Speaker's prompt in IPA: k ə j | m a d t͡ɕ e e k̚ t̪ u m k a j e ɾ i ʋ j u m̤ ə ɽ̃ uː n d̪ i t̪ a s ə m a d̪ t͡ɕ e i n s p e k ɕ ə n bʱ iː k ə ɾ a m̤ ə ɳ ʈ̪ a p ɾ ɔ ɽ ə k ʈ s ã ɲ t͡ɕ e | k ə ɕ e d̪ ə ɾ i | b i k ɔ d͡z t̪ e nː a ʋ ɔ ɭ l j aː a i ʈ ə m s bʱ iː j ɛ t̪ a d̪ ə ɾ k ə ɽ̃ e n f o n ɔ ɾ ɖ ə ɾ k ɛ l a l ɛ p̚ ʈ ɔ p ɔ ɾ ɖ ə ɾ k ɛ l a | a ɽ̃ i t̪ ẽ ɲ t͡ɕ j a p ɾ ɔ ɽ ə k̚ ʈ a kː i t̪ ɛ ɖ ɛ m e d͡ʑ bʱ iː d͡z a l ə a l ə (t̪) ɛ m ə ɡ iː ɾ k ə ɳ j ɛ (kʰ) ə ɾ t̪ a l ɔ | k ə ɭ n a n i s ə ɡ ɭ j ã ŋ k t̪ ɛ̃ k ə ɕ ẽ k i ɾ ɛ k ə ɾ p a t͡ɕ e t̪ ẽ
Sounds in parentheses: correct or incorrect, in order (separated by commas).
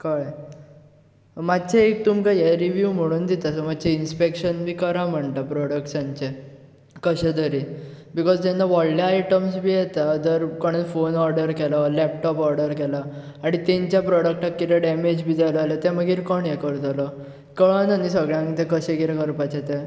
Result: correct, incorrect